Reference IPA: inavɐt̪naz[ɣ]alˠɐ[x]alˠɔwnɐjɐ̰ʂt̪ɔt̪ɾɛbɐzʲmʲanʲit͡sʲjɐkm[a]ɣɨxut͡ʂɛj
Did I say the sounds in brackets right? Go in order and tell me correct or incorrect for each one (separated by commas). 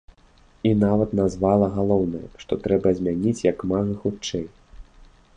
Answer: incorrect, incorrect, correct